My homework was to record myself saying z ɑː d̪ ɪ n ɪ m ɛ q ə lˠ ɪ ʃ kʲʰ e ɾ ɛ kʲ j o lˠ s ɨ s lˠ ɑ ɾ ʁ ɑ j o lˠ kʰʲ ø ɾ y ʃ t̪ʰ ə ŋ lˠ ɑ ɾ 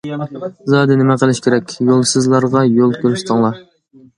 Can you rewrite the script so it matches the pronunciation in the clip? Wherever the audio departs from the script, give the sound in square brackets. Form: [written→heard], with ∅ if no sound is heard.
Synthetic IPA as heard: z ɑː d̪ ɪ n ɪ m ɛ q ə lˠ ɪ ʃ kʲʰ e ɾ ɛ kʲ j o lˠ s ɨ [s→z] lˠ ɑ ɾ ʁ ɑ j o lˠ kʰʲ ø ɾ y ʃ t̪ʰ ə ŋ lˠ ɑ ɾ